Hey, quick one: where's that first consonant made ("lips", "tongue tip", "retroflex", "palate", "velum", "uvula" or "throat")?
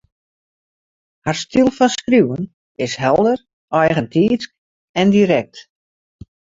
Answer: throat